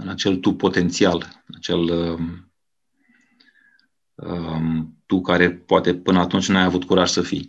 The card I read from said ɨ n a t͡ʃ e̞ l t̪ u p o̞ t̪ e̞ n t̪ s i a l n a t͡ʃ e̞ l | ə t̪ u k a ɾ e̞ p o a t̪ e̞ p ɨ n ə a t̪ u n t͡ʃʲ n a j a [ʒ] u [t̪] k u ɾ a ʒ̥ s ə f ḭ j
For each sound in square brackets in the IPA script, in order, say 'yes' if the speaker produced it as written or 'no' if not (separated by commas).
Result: no, yes